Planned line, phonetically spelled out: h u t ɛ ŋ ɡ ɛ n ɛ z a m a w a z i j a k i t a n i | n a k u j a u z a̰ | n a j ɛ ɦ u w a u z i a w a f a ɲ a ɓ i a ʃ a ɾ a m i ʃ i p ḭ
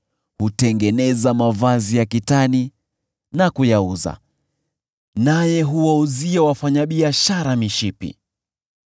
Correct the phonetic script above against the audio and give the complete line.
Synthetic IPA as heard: h u t ɛ ŋ ɡ ɛ n ɛ z a m a v a z i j a k i t a n i | n a k u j a u z a̰ | n a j ɛ ɦ u w a u z i a w a f a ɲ a ɓ i a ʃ a ɾ a m i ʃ i p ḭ